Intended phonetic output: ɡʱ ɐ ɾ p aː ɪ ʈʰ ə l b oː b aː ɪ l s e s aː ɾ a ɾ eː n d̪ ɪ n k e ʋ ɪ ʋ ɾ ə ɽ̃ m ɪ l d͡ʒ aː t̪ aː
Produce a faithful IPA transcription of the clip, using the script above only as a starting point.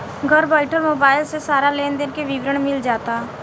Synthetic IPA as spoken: ɡʱ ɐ ɾ b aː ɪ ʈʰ ə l m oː b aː ɪ l s e s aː ɾ a l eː n d̪ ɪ n k e ʋ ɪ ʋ ɾ ə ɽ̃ m ɪ l d͡ʒ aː t̪ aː